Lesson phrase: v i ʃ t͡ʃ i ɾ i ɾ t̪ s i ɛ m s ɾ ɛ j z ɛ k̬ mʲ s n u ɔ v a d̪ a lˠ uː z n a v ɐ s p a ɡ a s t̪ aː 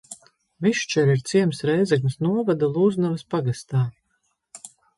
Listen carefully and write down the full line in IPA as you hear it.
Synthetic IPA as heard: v i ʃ t͡ʃ ɛ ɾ i ɾ t̪ s i ɛ m s ɾ ɛ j z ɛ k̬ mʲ s n u ɔ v a d̪ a lˠ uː z n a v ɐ s p a ɡ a s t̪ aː